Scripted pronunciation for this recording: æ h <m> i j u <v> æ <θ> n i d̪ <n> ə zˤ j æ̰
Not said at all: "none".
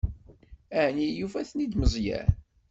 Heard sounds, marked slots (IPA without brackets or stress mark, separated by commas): n, f, θ, m